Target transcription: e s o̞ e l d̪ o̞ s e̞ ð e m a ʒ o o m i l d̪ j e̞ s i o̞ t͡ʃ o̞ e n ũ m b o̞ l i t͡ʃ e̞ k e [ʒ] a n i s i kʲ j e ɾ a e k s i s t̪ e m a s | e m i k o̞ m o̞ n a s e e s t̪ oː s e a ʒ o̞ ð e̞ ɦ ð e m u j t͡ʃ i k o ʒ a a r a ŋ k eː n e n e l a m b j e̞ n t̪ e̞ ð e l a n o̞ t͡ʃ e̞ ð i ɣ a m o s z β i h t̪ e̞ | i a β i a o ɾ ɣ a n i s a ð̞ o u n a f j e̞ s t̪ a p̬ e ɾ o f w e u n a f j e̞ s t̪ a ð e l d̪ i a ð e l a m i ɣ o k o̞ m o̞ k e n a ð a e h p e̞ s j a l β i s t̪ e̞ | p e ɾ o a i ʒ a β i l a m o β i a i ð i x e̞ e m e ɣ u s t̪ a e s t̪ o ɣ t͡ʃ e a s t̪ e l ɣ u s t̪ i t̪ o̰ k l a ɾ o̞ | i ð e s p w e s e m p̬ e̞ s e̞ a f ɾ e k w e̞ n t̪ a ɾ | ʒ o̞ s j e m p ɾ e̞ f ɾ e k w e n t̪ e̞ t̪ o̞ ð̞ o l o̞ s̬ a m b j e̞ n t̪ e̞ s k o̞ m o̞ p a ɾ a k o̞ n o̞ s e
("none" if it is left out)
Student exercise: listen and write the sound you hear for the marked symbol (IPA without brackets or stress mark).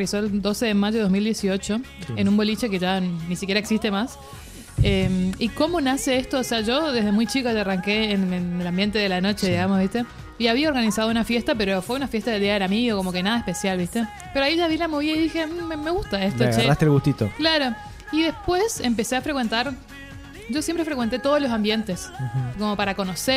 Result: ʒ